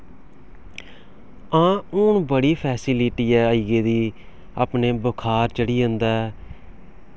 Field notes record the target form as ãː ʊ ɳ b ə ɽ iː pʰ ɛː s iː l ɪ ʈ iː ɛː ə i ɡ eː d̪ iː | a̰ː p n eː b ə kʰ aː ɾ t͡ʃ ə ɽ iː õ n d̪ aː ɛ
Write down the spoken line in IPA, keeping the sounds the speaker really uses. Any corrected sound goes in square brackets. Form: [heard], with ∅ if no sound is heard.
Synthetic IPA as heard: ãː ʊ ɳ b ə ɽ iː pʰ ɛː s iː l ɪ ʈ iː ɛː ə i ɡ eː d̪ iː | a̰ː p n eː b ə kʰ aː ɾ t͡ʃ ə ɽ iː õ n d̪ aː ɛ